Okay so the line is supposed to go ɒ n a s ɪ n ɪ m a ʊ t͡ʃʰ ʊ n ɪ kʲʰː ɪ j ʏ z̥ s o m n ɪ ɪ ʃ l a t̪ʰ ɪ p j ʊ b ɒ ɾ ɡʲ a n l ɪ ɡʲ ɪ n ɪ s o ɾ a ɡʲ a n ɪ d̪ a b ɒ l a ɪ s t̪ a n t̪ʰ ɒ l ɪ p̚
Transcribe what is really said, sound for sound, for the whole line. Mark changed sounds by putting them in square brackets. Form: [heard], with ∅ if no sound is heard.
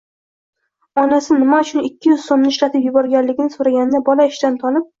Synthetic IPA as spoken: ɒ n a s ɪ n ɪ m a ʊ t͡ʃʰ ʊ n ɪ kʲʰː ɪ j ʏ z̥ s o m n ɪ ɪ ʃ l a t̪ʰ ɪ p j ʊ b ɒ ɾ ɡʲ a n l ɪ ɡʲ ɪ n ɪ s o ɾ a ɡʲ a n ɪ d̪ a b ɒ l a ɪ [ʃ] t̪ a n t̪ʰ ɒ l ɪ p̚